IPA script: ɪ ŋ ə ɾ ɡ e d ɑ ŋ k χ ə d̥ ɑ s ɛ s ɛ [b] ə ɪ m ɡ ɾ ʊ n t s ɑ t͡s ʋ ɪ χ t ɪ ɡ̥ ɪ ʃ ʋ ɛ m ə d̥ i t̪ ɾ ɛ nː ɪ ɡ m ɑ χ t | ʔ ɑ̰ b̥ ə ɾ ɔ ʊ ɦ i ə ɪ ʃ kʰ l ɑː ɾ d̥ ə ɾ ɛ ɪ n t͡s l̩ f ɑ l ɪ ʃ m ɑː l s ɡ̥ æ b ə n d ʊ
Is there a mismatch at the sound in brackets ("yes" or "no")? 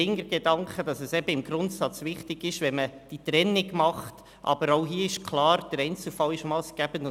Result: no